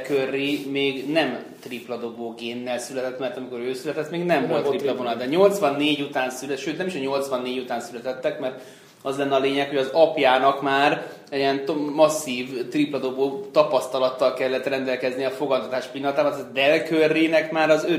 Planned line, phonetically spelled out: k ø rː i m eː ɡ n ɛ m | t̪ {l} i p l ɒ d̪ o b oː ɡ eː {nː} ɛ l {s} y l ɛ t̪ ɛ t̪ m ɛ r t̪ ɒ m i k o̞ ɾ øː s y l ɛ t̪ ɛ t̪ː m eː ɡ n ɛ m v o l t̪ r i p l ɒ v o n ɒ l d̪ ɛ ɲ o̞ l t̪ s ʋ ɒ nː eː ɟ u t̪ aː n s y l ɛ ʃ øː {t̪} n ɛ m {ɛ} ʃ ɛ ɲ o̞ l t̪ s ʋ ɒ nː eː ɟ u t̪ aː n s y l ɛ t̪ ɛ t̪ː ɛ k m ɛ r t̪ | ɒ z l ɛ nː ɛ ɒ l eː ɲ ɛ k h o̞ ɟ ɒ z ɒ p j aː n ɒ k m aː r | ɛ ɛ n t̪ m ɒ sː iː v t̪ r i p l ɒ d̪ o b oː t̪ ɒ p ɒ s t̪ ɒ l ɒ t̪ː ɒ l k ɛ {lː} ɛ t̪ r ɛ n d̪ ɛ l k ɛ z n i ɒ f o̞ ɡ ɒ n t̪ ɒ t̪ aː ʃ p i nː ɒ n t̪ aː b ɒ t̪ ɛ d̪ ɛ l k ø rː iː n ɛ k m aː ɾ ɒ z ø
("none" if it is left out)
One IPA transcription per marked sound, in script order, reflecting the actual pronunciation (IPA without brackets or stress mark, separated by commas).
r, nː, s, t̪, i, lː